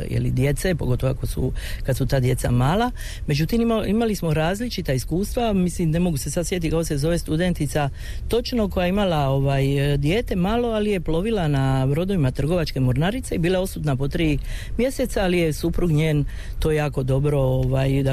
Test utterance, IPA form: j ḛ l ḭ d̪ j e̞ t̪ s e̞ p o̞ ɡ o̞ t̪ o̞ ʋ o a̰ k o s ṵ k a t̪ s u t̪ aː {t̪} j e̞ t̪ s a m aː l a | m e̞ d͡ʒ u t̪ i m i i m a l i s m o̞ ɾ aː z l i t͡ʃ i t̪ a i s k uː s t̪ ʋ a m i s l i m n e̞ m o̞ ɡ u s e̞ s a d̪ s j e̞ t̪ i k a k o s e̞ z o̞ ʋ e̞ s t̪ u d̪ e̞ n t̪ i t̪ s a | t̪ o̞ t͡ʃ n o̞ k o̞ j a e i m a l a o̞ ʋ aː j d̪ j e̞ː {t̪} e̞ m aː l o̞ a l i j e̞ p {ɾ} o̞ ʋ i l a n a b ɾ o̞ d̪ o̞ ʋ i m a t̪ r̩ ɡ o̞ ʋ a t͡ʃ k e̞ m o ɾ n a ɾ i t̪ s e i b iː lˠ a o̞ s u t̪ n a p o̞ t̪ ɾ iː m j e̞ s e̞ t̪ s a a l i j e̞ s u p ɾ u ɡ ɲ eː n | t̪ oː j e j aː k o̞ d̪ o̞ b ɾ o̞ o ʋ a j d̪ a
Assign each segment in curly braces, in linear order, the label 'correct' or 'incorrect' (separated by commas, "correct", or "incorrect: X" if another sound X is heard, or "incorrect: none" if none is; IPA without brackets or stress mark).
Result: incorrect: d̪, correct, incorrect: l